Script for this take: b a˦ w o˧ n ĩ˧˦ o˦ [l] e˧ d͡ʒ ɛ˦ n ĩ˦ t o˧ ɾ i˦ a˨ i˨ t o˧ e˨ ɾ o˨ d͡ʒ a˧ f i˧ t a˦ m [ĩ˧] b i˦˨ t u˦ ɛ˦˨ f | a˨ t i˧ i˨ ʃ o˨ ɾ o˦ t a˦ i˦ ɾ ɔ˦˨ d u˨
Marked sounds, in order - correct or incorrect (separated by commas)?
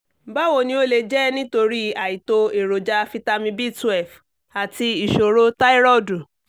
correct, correct